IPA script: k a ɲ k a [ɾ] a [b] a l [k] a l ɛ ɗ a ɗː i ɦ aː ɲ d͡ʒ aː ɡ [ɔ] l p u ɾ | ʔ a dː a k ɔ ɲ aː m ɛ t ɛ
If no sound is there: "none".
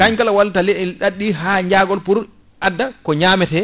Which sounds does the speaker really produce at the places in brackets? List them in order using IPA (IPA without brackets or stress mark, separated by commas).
l, w, t, ɔ